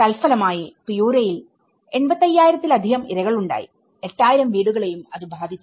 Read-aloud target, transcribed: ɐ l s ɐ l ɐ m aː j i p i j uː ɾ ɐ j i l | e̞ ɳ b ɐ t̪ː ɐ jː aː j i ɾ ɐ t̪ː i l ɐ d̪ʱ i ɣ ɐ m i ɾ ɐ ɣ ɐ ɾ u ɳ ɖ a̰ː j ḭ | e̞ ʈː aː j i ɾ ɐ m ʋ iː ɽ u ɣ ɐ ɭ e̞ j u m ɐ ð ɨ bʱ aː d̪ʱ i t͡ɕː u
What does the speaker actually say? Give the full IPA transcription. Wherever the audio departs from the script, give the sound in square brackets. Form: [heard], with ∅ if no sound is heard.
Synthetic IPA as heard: ɐ l [f] ɐ l ɐ m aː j i p i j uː ɾ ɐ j i l | e̞ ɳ b ɐ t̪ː ɐ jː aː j i ɾ ɐ t̪ː i l ɐ d̪ʱ i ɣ ɐ m i ɾ ɐ ɣ ɐ [ɭ] u ɳ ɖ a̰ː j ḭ | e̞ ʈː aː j i ɾ ɐ m ʋ iː ɽ u ɣ ɐ ɭ e̞ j u m ɐ ð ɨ bʱ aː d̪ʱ i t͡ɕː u

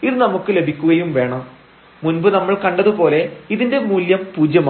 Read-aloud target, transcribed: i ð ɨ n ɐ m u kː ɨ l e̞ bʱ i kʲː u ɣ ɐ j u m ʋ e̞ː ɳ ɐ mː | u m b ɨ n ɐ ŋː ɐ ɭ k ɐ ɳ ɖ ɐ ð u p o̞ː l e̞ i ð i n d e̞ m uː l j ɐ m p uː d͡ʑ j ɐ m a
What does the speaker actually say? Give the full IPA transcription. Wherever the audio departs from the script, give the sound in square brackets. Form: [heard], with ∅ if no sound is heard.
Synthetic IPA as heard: i ð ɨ n ɐ m u kː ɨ l e̞ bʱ i kʲː u ɣ ɐ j u m ʋ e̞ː ɳ ɐ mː | u [n] b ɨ n ɐ [mː] ɐ ɭ k ɐ ɳ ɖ ɐ ð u p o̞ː l e̞ i ð i n d e̞ m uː l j ɐ m p uː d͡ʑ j ɐ m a

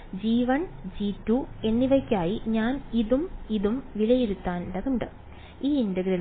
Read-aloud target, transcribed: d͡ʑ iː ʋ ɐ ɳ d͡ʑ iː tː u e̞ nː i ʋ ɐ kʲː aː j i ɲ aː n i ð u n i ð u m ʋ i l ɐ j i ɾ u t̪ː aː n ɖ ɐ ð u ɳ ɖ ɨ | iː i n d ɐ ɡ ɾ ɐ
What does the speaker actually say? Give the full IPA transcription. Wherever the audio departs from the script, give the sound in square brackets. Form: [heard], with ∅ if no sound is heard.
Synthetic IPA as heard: d͡ʑ iː ʋ ɐ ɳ d͡ʑ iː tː u e̞ nː i ʋ ɐ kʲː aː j i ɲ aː n i ð u [m] i ð u m ʋ i l ɐ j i ɾ u t̪ː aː n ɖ ɐ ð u ɳ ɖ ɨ | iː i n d ɐ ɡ ɾ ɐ

